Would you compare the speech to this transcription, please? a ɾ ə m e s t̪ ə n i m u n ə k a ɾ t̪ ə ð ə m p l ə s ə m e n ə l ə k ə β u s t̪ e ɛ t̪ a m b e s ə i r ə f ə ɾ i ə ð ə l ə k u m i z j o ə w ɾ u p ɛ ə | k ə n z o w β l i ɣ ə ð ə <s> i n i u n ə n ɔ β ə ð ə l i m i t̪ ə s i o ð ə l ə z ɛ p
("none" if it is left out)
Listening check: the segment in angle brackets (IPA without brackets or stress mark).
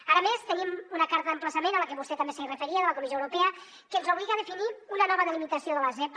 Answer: f